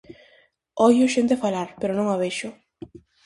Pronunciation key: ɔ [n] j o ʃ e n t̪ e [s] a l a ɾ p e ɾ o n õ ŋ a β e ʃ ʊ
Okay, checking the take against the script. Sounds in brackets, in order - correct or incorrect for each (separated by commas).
incorrect, incorrect